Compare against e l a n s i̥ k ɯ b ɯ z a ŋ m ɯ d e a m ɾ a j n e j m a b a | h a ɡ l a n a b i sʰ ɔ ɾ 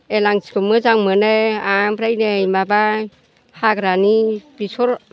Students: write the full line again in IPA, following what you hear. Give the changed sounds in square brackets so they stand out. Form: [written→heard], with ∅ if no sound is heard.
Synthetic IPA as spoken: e l a [n→ŋ] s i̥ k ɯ [b→m] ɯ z a ŋ m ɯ [d→n] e a m ɾ a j n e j m a b a | h a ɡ [l→ɾ] a n [a→i] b i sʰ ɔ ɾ